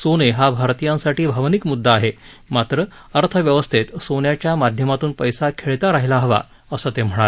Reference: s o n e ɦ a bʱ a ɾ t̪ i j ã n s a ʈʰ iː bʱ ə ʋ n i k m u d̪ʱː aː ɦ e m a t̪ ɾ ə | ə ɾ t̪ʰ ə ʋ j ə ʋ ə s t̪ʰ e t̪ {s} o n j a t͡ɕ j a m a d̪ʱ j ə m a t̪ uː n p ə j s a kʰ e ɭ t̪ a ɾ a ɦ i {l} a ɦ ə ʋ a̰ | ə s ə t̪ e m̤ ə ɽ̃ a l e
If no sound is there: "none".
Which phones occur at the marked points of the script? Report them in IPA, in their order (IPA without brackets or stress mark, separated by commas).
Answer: s, l